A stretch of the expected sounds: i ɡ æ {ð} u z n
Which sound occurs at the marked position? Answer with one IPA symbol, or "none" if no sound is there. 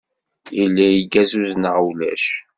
z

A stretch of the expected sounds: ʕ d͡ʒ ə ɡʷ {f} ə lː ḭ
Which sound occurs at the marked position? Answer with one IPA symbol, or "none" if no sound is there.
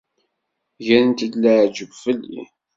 f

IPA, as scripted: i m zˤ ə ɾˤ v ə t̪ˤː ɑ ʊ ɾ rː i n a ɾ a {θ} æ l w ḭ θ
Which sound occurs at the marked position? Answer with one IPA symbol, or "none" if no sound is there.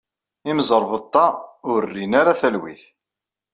θ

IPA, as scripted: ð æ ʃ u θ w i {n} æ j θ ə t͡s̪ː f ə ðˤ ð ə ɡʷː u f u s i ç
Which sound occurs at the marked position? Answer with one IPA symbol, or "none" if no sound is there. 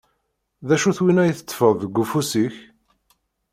n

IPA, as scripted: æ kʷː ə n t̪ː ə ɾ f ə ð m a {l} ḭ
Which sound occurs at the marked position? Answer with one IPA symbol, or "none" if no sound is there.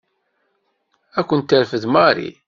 ɾ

